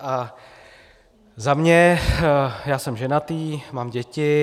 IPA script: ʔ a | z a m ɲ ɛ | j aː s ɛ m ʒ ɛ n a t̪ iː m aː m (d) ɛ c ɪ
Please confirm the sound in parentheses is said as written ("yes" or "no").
no